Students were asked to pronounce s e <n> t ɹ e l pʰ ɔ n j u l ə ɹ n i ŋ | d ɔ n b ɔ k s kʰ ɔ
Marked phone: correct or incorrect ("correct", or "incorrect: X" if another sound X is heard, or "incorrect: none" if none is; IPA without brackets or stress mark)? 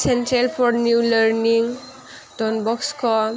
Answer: correct